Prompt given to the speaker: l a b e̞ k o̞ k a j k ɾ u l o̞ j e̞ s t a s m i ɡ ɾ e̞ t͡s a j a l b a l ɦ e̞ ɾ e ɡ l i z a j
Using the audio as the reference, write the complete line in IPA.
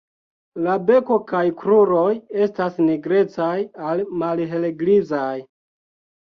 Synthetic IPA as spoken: l a b e̞ k o̞ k a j k ɾ u ɾ o̞ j e̞ s t a s n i ɡ ɾ e̞ t͡s a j a l m a l ɦ e̞ l e ɡ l i z a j